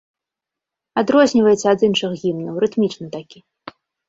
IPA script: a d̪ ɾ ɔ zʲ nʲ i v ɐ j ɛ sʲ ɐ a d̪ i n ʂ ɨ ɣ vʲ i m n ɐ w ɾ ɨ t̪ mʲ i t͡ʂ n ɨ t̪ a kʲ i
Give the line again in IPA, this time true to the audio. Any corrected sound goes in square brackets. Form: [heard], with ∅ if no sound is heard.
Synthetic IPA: a d̪ ɾ ɔ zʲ nʲ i v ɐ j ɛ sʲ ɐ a d̪ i n ʂ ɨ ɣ [ɣʲ] i m n ɐ w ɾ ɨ t̪ mʲ i t͡ʂ n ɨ t̪ a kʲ i

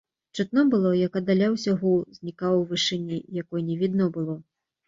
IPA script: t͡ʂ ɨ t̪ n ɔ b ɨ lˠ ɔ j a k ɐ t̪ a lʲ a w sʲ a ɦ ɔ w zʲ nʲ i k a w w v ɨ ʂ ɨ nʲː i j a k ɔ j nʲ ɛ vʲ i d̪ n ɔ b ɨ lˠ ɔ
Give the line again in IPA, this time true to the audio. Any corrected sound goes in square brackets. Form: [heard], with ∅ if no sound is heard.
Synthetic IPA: t͡ʂ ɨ t̪ n ɔ b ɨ lˠ ɔ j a k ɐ [d̪] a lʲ a w sʲ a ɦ ɔ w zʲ nʲ i k a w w v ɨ ʂ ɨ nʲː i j a k ɔ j nʲ ɛ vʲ i d̪ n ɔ b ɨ lˠ ɔ

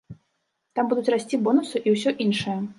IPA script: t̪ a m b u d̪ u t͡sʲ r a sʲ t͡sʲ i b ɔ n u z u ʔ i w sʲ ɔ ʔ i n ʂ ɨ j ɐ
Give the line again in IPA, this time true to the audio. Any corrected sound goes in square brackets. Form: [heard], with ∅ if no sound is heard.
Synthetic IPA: t̪ a m b u d̪ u t͡sʲ r a sʲ t͡sʲ i b ɔ n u [s] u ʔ i w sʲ ɔ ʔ i n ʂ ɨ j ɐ

